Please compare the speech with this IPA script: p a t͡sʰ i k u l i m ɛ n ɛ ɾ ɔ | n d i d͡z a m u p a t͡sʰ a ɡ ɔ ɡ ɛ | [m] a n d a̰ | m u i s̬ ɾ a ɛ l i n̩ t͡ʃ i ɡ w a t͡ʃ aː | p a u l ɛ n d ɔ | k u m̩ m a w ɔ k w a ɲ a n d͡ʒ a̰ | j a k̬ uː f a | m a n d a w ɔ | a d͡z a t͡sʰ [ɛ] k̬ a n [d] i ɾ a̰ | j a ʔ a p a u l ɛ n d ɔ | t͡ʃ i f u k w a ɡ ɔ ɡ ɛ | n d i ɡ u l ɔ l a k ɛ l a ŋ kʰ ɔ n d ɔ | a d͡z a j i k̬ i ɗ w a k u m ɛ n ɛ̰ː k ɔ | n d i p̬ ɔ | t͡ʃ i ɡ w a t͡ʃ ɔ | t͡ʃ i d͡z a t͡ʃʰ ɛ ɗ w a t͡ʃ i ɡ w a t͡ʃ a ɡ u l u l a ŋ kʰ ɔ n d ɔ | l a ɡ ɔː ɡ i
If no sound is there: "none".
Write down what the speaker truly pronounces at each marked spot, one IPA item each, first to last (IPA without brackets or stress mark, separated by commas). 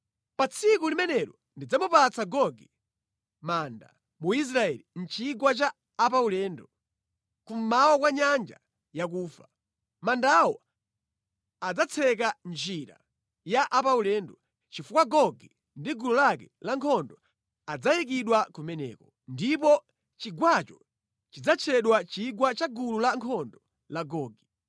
m, ɛ, d͡ʒ